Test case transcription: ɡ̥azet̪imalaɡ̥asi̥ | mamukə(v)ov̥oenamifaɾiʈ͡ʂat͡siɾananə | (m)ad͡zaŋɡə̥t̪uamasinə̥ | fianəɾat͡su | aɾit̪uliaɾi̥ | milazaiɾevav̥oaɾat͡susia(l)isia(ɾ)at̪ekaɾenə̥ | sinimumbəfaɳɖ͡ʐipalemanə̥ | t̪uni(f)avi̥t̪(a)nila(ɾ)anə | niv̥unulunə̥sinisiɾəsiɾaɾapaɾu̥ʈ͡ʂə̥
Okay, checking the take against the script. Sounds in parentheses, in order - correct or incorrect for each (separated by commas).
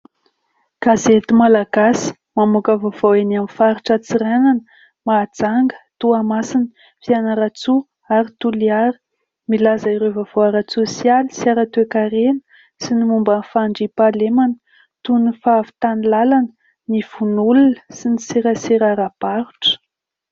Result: correct, correct, correct, correct, correct, correct, incorrect